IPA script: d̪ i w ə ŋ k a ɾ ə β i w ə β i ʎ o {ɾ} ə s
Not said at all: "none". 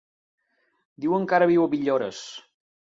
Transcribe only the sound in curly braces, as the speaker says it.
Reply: ɾ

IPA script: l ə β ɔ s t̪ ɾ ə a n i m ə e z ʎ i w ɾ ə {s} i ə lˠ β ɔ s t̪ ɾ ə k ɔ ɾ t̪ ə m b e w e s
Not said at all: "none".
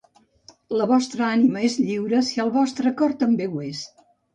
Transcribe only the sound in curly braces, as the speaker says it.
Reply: s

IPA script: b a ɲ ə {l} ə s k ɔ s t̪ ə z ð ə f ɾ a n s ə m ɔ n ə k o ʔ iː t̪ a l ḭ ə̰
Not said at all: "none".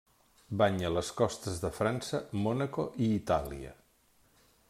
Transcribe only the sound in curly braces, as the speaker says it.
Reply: l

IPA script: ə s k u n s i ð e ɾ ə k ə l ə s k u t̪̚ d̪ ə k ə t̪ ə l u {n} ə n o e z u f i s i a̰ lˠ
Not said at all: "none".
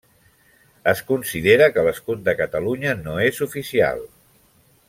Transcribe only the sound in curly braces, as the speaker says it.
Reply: ɲ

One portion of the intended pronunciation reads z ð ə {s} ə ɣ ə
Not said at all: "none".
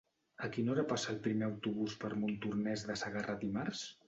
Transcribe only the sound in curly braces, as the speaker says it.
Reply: s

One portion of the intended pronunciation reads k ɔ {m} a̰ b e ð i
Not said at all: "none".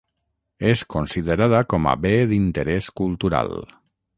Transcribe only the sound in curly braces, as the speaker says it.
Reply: m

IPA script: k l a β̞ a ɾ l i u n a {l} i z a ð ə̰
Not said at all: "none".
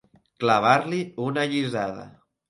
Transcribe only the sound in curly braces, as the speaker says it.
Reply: ʎ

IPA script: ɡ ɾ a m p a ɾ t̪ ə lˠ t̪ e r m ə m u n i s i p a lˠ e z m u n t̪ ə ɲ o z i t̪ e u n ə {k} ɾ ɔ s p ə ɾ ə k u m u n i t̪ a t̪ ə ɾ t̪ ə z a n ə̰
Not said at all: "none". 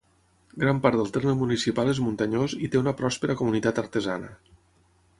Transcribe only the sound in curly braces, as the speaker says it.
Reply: p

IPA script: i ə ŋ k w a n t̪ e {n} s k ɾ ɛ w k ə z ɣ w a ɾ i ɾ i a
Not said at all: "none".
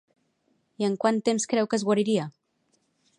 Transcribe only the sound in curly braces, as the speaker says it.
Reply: m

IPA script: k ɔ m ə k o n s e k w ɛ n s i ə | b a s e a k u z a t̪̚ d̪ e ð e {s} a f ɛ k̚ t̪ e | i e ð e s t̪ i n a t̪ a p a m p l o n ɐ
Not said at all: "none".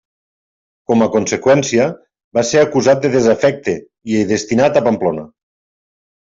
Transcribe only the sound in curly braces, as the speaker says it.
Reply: z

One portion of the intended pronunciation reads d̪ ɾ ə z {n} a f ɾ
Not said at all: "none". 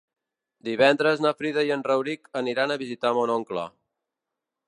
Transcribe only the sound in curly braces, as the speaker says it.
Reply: n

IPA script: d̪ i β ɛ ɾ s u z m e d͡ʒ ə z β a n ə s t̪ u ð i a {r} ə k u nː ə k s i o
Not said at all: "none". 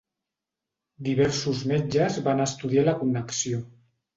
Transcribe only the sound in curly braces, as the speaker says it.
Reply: l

